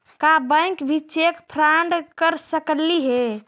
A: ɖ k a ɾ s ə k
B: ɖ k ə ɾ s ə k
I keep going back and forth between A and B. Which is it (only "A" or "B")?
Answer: B